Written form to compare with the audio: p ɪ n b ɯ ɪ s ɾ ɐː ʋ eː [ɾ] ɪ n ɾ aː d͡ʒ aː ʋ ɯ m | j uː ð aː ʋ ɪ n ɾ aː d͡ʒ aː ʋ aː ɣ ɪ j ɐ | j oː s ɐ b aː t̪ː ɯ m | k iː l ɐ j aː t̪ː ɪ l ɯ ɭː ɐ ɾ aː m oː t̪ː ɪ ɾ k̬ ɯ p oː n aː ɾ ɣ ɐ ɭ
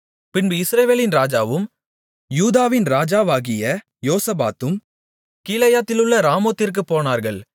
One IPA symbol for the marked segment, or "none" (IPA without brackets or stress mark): l